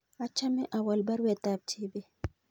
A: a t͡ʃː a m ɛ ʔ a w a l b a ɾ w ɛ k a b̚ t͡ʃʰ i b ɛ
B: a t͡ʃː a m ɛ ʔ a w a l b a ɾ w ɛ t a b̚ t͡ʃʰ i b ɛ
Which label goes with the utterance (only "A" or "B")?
B